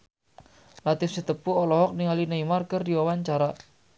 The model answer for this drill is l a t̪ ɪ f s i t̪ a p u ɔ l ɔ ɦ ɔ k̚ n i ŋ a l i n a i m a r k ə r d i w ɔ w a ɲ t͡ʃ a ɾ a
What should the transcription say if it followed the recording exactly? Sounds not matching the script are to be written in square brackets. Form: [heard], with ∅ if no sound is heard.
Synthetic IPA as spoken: l a t̪ ɪ f s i t̪ [ə] p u ɔ l ɔ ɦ ɔ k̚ n i ŋ a l i n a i m a r k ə r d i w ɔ w a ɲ t͡ʃ a ɾ a